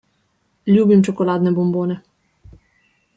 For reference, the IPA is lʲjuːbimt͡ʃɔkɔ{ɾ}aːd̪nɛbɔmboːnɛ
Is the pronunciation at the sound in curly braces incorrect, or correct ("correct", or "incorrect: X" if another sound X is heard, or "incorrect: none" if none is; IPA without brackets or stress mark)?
incorrect: l